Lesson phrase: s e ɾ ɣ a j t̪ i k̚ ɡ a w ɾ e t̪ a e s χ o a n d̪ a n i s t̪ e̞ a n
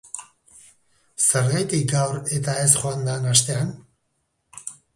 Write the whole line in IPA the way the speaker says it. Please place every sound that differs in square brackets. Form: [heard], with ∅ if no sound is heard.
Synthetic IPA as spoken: s e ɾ ɣ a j t̪ i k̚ ɡ a w ɾ e t̪ a e s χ o a n d̪ a n [a] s t̪ e̞ a n